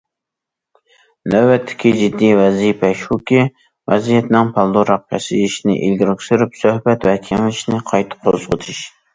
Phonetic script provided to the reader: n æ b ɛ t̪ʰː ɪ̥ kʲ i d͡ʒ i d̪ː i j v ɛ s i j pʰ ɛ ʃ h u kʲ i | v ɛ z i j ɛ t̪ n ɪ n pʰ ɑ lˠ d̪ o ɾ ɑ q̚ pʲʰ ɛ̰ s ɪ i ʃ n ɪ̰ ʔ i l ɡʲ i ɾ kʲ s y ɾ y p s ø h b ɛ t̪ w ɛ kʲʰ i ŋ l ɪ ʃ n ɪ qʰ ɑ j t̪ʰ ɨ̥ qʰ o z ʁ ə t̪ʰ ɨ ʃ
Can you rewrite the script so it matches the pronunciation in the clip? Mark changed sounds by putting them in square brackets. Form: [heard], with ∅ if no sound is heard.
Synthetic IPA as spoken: n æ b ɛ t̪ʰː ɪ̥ kʲ i d͡ʒ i d̪ː i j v ɛ [z] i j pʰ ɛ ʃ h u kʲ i | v ɛ z i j ɛ t̪ n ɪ [ŋ] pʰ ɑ lˠ d̪ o ɾ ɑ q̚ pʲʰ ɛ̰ s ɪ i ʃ n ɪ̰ ʔ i l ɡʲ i ɾ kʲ s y ɾ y p s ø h b ɛ t̪ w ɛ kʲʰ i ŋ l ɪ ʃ n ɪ qʰ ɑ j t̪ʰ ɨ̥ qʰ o z ʁ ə t̪ʰ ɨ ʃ

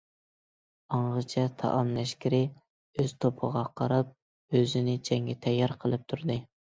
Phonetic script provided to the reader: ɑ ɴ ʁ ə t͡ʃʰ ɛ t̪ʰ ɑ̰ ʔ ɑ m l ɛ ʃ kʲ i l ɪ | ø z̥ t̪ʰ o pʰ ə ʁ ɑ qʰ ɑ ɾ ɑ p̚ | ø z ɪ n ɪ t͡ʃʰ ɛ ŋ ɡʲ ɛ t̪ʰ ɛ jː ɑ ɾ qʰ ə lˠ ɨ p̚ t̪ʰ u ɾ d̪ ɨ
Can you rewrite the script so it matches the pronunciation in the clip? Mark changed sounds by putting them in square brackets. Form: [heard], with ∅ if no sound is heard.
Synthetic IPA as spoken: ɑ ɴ ʁ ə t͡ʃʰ ɛ t̪ʰ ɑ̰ ʔ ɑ m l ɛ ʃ kʲ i [ɾ] ɪ | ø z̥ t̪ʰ o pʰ ə ʁ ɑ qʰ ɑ ɾ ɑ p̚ | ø z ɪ n ɪ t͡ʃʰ ɛ ŋ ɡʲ ɛ t̪ʰ ɛ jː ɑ ɾ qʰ ə lˠ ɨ p̚ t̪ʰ u ɾ d̪ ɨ

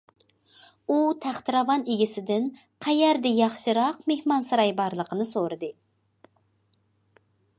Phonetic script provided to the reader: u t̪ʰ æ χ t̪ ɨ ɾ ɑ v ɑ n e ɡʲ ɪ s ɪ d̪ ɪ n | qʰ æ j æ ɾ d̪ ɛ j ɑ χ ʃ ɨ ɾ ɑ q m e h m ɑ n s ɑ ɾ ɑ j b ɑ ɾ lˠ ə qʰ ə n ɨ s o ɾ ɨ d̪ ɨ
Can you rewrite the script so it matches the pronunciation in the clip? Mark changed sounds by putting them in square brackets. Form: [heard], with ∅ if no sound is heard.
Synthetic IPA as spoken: u t̪ʰ æ χ t̪ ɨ ɾ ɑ v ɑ n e ɡʲ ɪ s ɪ d̪ ɪ n | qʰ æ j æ ɾ d̪ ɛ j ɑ χ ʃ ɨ ɾ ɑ q m e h m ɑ n s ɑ ɾ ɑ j b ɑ ɾ lˠ ə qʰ ə n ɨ s o ɾ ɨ d̪ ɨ

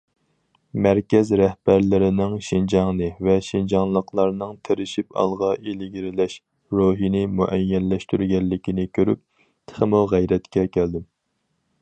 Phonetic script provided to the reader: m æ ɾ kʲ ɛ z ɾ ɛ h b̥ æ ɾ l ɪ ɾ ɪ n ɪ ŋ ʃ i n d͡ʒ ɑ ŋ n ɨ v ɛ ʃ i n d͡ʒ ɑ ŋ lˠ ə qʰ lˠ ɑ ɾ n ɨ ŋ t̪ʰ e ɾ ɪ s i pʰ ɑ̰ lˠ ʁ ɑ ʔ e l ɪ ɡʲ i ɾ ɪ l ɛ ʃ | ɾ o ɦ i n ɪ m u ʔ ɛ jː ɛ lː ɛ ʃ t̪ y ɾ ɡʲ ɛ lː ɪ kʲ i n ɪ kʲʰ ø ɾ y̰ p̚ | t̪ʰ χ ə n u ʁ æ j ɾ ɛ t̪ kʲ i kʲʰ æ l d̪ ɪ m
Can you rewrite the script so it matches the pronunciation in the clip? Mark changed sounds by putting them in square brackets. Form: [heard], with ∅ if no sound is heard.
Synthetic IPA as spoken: m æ ɾ kʲ ɛ z ɾ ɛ h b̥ æ ɾ l ɪ ɾ ɪ n ɪ ŋ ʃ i n d͡ʒ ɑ ŋ n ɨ v ɛ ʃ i n d͡ʒ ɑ ŋ lˠ ə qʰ lˠ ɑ ɾ n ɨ ŋ t̪ʰ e ɾ ɪ [ʃ] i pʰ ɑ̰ lˠ ʁ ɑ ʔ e l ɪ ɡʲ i ɾ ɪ l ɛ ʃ | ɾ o ɦ i n ɪ m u ʔ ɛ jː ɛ lː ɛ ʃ t̪ y ɾ ɡʲ ɛ lː ɪ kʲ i n ɪ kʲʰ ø ɾ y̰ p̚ | t̪ʰ χ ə [m] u ʁ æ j ɾ ɛ t̪ kʲ [ɛ] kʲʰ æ l d̪ ɪ m

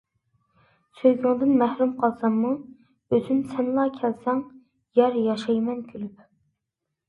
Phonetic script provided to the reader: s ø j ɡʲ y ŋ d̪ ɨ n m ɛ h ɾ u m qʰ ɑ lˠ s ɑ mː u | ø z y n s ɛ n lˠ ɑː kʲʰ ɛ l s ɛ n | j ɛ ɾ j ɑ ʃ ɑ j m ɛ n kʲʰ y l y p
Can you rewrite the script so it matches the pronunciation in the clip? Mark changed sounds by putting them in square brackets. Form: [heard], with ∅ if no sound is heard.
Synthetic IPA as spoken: s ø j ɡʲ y ŋ d̪ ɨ n m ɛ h ɾ u m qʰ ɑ lˠ s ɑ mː u | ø z y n s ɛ n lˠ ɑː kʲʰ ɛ l s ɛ [ŋ] | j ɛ ɾ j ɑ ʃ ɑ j m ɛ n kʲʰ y l y p

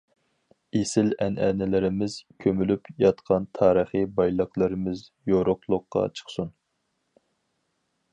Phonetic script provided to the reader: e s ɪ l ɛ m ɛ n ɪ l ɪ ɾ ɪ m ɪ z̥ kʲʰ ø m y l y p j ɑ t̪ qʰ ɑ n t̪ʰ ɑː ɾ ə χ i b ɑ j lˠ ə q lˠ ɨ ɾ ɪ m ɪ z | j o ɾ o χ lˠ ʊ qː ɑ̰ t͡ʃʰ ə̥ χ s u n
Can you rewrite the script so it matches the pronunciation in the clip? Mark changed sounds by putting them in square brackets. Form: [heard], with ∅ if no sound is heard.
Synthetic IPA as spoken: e s ɪ l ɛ [n] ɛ n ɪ l ɪ ɾ ɪ m ɪ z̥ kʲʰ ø m y l y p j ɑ t̪ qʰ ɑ n t̪ʰ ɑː ɾ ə χ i b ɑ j lˠ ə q lˠ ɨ ɾ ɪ m ɪ z | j o ɾ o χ lˠ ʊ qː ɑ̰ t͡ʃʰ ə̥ χ s u n

